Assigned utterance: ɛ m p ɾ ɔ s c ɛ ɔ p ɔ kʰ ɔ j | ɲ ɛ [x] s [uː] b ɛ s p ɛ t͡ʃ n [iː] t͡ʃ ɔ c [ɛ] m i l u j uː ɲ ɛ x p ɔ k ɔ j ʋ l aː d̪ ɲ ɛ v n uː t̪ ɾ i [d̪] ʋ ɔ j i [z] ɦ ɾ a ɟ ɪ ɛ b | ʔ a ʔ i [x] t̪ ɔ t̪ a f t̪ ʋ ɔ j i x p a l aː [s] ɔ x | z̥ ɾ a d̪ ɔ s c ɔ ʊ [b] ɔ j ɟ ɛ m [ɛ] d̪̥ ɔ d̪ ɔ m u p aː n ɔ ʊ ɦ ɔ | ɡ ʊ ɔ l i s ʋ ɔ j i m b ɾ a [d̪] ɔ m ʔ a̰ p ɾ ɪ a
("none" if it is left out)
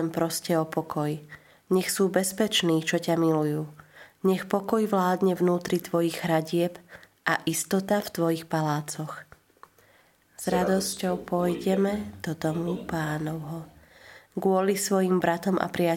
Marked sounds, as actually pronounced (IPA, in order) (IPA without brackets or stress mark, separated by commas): x, uː, iː, a, t̪, ɣ, s, t͡s, p, ɛ, t̪